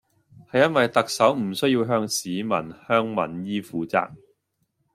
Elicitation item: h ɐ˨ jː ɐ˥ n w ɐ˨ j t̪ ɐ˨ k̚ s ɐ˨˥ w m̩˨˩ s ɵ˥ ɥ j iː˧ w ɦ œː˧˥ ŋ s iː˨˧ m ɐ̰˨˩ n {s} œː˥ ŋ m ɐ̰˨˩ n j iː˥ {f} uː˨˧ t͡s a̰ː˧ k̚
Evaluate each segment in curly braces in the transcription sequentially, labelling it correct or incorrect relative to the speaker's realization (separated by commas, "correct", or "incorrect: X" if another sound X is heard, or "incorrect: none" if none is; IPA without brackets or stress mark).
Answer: incorrect: h, correct